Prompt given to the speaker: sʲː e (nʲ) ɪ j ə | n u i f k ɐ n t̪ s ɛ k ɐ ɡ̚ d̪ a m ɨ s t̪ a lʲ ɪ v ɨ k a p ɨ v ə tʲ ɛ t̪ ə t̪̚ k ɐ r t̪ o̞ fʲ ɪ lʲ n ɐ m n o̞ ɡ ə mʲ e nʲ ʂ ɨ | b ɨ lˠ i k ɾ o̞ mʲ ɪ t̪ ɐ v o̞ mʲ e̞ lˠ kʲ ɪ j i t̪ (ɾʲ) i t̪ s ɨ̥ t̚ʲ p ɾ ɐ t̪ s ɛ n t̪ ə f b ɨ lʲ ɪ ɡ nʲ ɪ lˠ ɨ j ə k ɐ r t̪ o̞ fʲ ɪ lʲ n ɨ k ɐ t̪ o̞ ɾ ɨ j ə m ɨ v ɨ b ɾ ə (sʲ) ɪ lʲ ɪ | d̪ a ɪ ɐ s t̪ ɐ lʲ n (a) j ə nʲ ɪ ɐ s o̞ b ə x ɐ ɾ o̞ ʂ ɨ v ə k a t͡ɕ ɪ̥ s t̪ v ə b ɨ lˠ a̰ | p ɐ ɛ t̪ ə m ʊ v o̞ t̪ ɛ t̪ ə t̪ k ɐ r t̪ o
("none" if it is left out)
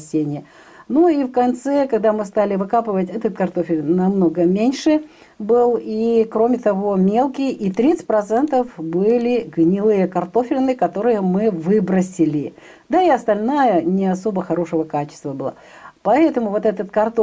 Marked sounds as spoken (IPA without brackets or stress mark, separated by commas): nʲ, ɾʲ, sʲ, a